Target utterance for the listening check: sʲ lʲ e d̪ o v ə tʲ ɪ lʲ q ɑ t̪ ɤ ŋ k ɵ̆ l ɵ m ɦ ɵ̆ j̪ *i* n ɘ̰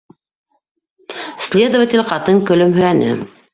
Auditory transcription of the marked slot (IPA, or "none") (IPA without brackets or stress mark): æ